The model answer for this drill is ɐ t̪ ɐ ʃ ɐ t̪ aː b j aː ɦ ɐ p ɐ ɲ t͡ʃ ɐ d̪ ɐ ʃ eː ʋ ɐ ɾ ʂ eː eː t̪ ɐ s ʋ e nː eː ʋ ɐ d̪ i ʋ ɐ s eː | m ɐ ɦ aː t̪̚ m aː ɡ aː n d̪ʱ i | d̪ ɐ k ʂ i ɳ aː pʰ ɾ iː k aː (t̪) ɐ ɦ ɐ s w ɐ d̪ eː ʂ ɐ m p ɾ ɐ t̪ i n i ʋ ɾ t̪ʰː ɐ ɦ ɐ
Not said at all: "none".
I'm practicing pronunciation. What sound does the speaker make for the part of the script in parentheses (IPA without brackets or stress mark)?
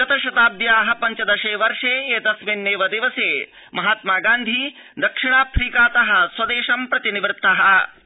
t̪